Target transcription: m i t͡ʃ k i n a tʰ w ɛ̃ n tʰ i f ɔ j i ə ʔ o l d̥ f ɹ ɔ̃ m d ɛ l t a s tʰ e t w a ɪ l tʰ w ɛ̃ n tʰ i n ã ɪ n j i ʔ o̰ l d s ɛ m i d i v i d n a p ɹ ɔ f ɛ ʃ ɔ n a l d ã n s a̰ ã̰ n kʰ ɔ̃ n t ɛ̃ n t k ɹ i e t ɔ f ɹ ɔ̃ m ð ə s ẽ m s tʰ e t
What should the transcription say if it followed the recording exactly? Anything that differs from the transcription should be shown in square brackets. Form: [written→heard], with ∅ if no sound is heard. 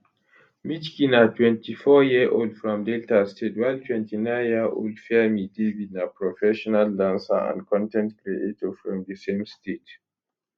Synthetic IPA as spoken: m i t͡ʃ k i n a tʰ w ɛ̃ n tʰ i f ɔ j i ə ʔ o l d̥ f ɹ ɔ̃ m d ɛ l t a s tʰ e t w a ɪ l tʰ w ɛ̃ n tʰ i n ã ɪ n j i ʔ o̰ l d [s→f] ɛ m i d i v i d n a p ɹ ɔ f ɛ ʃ ɔ n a l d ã n s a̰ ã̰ n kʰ ɔ̃ n t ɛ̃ n t k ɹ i e t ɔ f ɹ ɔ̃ m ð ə s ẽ m s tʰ e t